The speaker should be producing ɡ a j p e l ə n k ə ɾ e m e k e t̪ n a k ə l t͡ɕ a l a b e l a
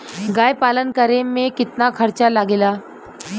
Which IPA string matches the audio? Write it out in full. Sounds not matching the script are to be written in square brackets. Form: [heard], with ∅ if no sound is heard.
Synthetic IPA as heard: ɡ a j p [a] l ə n k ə ɾ e m e k [i] t̪ n a [kʰ] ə [ɾ] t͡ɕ a l a [ɡ] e l a

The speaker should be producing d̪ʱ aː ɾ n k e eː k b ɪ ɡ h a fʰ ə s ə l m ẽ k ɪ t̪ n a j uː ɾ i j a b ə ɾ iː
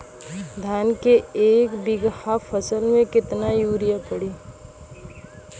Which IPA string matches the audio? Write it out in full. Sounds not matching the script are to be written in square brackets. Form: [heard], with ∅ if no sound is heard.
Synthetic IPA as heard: d̪ʱ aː [∅] n k e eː k b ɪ ɡ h a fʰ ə s ə l m ẽ k ɪ t̪ n a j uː ɾ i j a [p] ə [ɽ] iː

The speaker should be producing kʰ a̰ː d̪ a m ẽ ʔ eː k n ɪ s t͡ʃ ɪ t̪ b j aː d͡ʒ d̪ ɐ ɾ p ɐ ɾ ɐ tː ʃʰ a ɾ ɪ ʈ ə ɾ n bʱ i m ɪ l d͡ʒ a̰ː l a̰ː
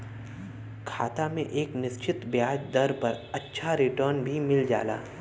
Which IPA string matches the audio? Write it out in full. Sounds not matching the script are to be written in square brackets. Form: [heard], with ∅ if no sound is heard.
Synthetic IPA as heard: kʰ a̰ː [t̪] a m ẽ ʔ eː k n ɪ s t͡ʃ ɪ t̪ b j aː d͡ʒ d̪ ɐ ɾ p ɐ ɾ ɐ tː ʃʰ a ɾ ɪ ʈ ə ɾ n bʱ i m ɪ l d͡ʒ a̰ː l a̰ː

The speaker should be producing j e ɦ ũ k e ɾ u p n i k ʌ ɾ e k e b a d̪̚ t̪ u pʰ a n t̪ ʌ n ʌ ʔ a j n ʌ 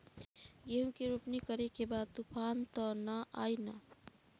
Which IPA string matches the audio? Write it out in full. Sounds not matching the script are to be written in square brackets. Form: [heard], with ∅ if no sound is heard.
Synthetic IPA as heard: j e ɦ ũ k e ɾ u p n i k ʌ ɾ e k e b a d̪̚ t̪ u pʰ a n t̪ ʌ n ʌ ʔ a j n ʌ

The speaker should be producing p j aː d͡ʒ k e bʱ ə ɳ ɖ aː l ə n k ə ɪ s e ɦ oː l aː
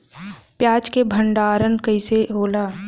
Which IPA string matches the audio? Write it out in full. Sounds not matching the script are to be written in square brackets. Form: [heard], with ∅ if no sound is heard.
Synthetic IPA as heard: p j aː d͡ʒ k e bʱ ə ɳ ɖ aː [ɾ] ə n k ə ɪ s e ɦ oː l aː

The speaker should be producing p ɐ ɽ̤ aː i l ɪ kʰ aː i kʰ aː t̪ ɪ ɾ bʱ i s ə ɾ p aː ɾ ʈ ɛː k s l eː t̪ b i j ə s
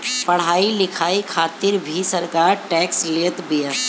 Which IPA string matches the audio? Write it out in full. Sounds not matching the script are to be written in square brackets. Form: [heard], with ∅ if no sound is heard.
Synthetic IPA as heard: p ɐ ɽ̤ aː i l ɪ kʰ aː i kʰ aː t̪ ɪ ɾ bʱ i s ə ɾ [k] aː ɾ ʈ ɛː k s l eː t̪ b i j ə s

